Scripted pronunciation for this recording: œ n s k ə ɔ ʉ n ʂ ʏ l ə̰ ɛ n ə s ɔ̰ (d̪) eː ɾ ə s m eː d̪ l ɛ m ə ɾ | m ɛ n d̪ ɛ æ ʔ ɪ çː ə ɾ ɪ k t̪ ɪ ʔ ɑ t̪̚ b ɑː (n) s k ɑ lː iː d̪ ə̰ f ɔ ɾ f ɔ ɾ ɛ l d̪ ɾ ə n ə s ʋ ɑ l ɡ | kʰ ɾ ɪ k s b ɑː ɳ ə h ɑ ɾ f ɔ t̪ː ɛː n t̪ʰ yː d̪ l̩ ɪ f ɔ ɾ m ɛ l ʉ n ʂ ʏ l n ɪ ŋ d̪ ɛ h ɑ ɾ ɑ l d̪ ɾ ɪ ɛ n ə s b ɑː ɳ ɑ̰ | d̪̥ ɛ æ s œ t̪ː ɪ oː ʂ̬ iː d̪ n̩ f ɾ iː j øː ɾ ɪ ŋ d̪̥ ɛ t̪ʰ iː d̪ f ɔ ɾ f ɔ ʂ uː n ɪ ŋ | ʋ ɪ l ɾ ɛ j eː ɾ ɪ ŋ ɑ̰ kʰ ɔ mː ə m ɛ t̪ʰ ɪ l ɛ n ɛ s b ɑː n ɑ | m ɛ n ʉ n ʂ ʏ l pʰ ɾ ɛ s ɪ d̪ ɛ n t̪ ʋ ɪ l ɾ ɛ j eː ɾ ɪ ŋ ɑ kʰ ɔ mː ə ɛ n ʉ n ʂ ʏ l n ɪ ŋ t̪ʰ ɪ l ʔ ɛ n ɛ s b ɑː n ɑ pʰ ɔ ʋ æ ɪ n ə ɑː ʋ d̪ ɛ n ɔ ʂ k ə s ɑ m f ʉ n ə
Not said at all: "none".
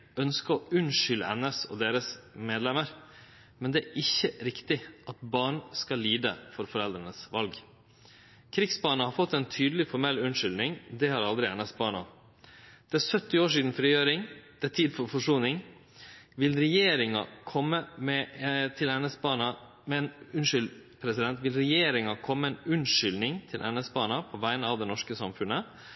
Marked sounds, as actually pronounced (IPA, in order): d̪, ɳ

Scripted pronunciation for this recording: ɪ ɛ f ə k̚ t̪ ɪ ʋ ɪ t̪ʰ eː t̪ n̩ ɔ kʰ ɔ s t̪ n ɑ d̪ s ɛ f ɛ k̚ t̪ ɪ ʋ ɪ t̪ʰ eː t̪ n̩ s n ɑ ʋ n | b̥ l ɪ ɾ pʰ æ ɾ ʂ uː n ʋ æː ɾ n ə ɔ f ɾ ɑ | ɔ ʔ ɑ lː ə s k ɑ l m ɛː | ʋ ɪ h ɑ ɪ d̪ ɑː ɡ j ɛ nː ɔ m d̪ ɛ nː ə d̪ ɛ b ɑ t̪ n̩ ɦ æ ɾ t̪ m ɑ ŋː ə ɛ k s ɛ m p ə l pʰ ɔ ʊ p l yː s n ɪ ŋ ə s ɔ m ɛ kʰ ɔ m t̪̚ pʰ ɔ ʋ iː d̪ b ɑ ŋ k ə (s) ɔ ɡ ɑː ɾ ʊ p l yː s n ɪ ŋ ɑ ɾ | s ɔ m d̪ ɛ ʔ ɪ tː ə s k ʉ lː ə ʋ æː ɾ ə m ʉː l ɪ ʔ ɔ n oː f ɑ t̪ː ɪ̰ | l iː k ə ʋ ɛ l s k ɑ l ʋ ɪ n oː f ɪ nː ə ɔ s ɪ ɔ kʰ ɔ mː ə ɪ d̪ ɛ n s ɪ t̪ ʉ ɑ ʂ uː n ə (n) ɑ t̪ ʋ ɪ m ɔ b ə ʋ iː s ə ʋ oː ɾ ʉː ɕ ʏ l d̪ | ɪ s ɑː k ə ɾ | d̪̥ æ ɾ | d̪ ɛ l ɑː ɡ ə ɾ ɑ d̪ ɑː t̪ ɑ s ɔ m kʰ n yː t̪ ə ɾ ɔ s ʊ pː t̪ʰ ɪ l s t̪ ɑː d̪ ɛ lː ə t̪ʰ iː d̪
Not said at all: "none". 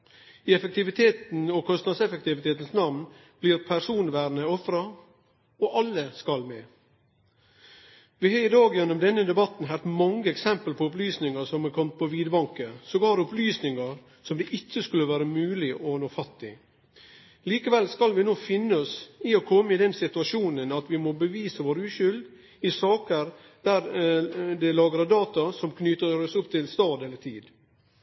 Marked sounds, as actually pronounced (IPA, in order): s, n

